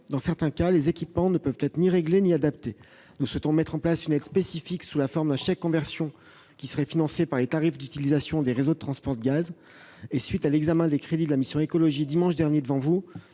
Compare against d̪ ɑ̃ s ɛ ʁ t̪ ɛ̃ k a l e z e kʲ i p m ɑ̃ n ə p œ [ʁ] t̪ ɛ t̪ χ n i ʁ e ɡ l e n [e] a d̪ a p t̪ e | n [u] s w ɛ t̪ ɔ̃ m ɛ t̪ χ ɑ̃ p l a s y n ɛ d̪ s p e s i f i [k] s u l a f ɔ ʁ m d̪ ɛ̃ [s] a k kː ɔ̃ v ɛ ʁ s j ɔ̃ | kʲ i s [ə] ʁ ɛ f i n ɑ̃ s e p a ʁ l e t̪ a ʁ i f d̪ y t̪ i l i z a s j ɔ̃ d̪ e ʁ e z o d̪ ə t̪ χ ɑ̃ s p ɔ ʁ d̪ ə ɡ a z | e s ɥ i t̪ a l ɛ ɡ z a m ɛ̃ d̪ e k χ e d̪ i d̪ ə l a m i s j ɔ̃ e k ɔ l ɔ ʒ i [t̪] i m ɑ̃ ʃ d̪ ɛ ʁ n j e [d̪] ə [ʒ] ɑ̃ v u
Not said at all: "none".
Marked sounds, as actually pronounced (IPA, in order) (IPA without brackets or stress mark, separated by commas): v, i, u, k, ʃ, ə, d̪, d̪, v